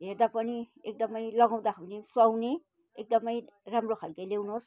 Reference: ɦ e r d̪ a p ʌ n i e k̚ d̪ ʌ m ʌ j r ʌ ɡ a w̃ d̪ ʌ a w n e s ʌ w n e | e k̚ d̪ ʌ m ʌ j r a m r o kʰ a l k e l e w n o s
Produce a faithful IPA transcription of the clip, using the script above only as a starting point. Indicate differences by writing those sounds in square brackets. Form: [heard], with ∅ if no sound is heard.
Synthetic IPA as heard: ɦ e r d̪ a p ʌ n i e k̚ d̪ ʌ m ʌ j [l] ʌ ɡ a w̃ d̪ [a] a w n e s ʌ w n e | e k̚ d̪ ʌ m ʌ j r a m r o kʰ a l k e l e w n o s